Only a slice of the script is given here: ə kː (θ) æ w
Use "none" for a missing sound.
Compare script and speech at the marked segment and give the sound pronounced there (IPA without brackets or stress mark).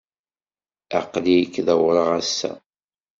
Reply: ð